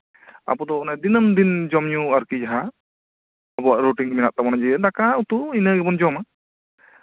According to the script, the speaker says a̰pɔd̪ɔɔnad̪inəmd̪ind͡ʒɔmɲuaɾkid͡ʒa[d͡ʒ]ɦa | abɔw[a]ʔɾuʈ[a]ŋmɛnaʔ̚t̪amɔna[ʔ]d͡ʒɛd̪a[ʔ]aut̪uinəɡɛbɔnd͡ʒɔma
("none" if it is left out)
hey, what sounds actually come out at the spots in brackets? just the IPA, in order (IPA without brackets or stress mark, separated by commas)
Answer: none, a, i, none, k